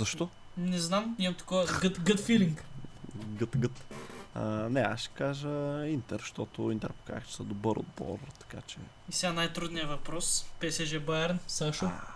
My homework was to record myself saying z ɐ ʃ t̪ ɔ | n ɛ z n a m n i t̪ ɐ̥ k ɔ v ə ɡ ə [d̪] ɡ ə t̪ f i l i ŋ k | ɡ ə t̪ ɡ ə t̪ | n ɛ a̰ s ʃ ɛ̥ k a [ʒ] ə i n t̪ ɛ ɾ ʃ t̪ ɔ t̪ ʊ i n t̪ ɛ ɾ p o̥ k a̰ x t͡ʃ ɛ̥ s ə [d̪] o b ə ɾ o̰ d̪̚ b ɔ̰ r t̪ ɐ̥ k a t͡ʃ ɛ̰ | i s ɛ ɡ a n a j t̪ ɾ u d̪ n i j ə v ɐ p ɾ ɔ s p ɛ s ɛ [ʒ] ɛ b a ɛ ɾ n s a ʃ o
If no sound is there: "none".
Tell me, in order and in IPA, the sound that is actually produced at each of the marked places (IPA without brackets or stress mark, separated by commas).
t̪, ʒ, d̪, ʒ